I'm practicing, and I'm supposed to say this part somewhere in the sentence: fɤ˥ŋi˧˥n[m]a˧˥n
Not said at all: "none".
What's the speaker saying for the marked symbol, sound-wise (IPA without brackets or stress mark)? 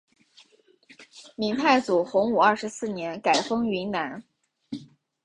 n